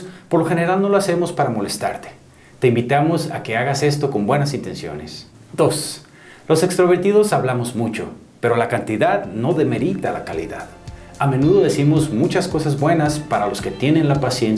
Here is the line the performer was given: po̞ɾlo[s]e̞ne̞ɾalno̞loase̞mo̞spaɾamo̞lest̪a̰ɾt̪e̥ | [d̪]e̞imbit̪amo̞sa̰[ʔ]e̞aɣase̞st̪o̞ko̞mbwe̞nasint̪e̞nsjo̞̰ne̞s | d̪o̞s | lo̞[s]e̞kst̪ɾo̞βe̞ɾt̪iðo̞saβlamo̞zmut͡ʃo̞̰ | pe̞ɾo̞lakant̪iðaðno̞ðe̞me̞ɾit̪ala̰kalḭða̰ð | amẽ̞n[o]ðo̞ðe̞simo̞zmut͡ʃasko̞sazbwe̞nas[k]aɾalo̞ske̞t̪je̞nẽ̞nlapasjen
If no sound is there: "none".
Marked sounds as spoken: x, t̪, k, s, u, p

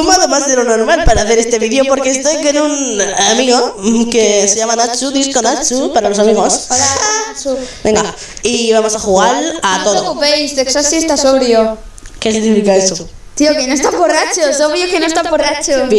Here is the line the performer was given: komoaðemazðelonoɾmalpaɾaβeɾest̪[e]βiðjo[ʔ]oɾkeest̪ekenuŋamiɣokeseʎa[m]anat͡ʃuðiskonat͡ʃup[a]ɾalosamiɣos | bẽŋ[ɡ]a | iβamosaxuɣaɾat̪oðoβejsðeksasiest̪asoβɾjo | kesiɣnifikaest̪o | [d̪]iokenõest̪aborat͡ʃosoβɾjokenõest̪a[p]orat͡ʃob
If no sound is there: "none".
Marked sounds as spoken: e, p, m, a, ɡ, t̪, p

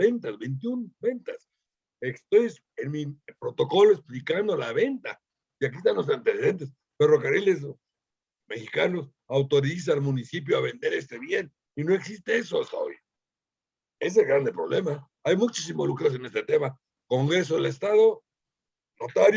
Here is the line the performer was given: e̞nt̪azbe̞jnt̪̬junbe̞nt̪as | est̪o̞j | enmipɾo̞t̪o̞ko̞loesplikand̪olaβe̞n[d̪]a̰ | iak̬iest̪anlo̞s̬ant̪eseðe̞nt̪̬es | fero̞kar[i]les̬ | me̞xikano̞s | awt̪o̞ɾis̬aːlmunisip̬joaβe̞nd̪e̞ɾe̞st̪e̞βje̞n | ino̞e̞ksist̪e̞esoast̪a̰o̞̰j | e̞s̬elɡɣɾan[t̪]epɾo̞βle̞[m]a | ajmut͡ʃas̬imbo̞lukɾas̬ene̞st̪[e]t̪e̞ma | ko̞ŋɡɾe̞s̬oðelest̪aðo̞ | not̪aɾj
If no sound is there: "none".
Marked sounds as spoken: t̪, i, d̪, m, e

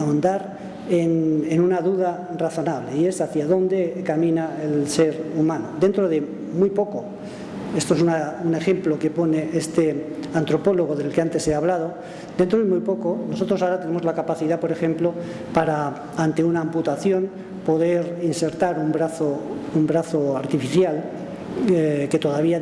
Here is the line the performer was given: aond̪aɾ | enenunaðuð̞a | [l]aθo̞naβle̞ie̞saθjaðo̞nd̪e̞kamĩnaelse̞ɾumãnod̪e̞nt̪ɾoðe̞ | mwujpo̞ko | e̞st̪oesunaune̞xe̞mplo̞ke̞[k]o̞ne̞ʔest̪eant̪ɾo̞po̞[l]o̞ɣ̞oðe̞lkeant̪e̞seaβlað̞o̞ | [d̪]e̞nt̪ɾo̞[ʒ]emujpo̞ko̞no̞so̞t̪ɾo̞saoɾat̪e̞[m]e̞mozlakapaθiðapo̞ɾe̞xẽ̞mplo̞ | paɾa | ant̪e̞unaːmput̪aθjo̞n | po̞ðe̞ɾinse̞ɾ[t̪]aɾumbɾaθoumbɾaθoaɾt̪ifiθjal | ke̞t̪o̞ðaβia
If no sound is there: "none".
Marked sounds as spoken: r, p, l, d̪, ð, n, t̪

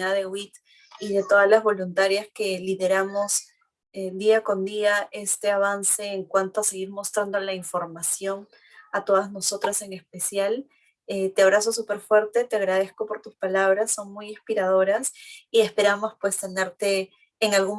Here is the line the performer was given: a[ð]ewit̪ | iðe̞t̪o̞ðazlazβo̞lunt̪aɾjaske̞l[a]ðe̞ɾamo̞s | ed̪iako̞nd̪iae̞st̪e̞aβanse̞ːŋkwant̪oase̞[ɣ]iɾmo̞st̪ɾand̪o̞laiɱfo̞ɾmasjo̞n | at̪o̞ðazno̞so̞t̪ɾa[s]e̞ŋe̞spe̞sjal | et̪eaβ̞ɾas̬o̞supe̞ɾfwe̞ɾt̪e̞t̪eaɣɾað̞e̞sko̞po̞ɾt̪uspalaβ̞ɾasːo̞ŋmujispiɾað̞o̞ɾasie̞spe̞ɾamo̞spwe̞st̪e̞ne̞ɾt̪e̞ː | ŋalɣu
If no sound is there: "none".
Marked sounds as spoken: ð, i, ɣ, s

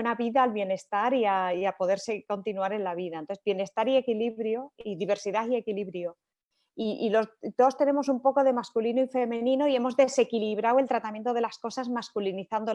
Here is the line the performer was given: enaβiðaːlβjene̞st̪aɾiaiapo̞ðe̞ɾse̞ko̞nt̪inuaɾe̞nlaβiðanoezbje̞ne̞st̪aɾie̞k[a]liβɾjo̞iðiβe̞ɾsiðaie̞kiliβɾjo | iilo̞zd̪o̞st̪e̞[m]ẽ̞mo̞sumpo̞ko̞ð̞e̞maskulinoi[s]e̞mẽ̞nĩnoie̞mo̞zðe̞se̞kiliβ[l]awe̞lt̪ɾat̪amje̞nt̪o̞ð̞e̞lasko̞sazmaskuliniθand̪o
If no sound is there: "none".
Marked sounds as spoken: i, n, f, ɾ

